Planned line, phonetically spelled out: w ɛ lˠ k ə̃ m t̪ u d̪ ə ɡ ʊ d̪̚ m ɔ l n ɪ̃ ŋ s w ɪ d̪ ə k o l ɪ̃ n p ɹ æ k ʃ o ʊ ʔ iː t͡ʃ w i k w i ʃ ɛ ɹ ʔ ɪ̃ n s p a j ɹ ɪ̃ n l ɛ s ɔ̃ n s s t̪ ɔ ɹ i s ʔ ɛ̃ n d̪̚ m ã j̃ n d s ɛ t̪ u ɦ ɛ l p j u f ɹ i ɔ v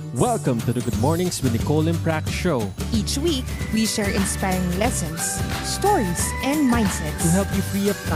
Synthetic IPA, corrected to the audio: w ɛ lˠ k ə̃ m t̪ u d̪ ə ɡ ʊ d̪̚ m ɔ ɹ n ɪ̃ ŋ s w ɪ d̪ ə k o l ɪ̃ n p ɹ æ k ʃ o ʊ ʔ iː t͡ʃ w i k w i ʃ ɛ ɹ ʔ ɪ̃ n s p a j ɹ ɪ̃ ŋ l ɛ s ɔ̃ n s s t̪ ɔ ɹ i s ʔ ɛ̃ n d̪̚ m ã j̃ n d s ɛ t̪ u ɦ ɛ l p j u f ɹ i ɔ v